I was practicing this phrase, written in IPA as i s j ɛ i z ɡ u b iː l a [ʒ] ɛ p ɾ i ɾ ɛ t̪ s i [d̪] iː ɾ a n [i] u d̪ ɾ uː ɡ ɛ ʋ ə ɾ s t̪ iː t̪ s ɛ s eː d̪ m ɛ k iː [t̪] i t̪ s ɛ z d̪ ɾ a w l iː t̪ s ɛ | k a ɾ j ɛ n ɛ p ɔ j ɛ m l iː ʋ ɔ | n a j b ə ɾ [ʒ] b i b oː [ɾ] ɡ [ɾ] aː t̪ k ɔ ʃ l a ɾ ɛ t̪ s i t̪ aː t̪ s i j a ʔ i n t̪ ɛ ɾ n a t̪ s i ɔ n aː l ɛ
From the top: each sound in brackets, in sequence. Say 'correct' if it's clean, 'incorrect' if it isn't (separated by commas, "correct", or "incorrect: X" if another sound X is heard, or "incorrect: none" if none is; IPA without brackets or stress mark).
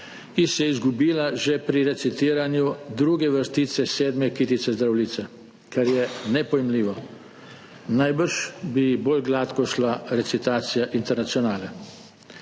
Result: correct, incorrect: t̪, incorrect: j, correct, incorrect: ʃ, incorrect: l, incorrect: l